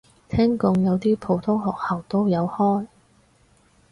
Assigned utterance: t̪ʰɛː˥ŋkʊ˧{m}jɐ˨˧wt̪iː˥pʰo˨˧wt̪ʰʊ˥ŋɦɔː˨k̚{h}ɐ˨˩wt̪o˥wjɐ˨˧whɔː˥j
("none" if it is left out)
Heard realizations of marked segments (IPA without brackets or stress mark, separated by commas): ŋ, h